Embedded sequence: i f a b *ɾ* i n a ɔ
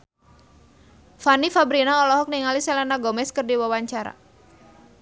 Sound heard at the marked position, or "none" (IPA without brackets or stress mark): ɾ